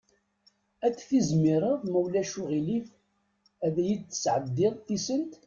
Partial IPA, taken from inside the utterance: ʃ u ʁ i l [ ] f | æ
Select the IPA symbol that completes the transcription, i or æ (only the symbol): i